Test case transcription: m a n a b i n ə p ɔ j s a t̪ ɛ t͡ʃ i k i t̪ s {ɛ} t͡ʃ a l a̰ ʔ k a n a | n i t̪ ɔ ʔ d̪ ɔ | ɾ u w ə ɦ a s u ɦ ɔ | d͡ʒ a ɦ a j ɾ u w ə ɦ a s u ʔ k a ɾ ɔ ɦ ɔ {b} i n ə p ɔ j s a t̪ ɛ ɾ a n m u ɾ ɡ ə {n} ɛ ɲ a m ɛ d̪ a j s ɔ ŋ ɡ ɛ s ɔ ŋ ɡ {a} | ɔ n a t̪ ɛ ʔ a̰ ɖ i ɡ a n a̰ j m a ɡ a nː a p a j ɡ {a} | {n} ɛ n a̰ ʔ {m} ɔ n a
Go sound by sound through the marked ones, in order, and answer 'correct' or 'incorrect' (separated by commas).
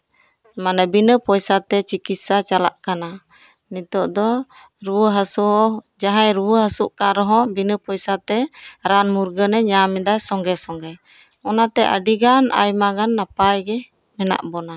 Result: incorrect, correct, correct, incorrect, incorrect, incorrect, incorrect